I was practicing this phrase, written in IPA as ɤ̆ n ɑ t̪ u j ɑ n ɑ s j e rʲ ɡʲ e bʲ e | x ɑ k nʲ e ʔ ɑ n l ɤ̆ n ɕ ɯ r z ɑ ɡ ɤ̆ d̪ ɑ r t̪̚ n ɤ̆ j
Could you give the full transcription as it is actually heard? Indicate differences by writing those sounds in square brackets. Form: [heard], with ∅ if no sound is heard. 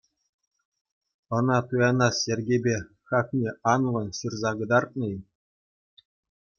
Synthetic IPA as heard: ɤ̆ n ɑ t̪ u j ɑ n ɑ s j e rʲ ɡʲ e bʲ e | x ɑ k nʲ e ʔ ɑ n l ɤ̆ n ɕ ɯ r z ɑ ɡ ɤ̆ d̪ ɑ r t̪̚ n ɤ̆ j